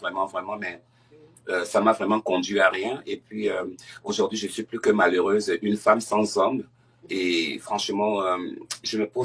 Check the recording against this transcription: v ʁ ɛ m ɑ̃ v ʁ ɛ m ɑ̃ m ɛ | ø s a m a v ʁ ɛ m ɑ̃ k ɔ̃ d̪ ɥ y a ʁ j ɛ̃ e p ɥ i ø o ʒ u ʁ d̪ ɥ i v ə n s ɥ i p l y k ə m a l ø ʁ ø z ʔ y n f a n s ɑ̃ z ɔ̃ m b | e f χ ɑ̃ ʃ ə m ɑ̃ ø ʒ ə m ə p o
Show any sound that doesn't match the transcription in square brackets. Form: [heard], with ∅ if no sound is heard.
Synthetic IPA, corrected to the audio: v ʁ ɛ m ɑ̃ v ʁ ɛ m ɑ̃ m ɛ | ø s a m a v ʁ ɛ m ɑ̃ k ɔ̃ d̪ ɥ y a ʁ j ɛ̃ e p ɥ i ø o ʒ u ʁ d̪ ɥ i [ʒ] ə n s ɥ i p l y k ə m a l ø ʁ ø z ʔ y n f a [m] s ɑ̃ z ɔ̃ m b | e f χ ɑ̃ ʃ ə m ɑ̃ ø ʒ ə m ə p o